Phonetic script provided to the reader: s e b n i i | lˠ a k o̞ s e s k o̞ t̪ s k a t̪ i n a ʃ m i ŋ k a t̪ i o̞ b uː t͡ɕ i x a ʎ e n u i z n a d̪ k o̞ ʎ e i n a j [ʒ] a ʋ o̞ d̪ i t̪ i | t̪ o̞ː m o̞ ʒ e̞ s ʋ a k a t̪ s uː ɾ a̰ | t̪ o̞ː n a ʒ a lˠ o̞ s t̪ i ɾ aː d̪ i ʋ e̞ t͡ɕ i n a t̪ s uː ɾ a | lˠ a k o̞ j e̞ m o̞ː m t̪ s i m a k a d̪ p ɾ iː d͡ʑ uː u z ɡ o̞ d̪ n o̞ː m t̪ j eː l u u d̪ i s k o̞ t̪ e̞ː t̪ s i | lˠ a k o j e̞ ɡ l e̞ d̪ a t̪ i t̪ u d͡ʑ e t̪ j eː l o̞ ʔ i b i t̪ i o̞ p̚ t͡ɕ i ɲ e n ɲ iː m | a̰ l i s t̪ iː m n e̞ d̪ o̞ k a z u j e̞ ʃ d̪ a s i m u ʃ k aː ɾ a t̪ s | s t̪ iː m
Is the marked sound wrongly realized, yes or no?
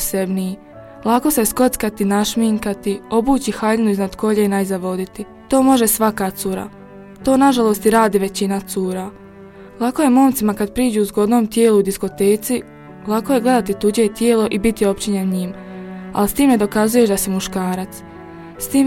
yes